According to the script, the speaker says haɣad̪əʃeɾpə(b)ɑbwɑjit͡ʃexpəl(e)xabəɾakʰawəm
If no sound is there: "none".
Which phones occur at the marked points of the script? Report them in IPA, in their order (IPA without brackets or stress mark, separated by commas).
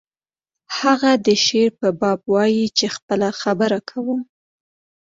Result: b, a